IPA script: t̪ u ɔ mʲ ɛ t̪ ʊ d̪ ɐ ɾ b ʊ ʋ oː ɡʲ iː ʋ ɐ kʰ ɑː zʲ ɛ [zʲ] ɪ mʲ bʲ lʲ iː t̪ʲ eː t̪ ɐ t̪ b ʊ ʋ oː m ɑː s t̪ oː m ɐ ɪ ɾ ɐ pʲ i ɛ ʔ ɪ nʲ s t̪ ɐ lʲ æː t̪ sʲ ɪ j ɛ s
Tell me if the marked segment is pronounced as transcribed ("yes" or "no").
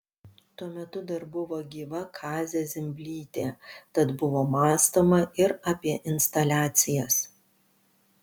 yes